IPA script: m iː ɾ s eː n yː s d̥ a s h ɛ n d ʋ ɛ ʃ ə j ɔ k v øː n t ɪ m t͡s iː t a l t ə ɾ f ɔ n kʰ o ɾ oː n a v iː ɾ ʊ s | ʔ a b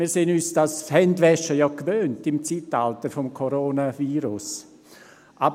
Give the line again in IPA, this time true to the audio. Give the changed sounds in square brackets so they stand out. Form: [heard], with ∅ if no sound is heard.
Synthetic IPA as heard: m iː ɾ s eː n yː s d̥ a s h ɛ n d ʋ ɛ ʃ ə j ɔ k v øː n t ɪ m t͡s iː t a l t ə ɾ f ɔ [m] kʰ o ɾ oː n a v iː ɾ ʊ s | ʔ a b